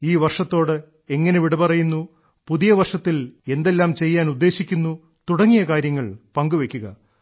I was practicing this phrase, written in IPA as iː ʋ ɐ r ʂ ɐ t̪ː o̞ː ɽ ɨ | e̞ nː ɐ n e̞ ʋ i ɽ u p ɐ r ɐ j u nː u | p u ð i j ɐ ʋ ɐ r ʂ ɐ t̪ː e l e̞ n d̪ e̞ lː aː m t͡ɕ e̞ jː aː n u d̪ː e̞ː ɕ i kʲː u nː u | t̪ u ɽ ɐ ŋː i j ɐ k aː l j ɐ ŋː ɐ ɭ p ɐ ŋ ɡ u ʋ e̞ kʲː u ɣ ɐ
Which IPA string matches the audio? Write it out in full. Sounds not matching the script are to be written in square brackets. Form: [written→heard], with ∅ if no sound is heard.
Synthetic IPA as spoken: iː ʋ ɐ r ʂ ɐ t̪ː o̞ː ɽ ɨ | e̞ [nː→ŋː] ɐ n e̞ ʋ i ɽ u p ɐ r ɐ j u nː u | p u ð i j ɐ ʋ ɐ r ʂ ɐ t̪ː [e→i] l e̞ n d̪ e̞ lː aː m t͡ɕ e̞ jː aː n u d̪ː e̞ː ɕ i kʲː u nː u | t̪ u ɽ ɐ ŋː i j ɐ k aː [l→ɾ] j ɐ ŋː ɐ ɭ p ɐ ŋ ɡ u ʋ e̞ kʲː u ɣ ɐ